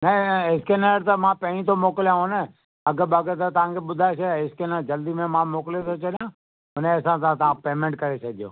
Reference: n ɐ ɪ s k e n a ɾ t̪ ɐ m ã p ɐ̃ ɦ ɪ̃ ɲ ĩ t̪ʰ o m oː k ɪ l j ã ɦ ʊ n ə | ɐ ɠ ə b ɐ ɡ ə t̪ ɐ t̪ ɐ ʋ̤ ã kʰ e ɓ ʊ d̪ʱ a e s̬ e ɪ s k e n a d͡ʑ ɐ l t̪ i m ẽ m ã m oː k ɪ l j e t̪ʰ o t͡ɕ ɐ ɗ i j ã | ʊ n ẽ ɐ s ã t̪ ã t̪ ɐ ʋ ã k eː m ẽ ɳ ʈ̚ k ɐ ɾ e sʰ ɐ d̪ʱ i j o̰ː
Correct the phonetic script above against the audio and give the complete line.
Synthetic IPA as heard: n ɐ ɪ s k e n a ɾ t̪ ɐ m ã p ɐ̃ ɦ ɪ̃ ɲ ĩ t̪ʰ o m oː k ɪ l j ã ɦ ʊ n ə | ɐ ɡ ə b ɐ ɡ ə t̪ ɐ t̪ ɐ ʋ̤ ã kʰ e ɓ ʊ d̪ʱ a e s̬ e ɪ s k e n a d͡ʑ ɐ l d̪ i m ẽ m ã m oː k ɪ l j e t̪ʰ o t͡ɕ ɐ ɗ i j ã | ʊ n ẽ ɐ s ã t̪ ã t̪ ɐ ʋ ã p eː m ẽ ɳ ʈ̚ k ɐ ɾ e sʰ ɐ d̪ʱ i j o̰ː